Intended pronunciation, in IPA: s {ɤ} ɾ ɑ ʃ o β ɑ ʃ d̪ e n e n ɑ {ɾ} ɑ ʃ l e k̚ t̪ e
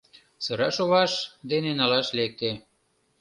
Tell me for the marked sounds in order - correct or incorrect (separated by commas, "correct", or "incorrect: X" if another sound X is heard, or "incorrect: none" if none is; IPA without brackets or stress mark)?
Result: correct, incorrect: l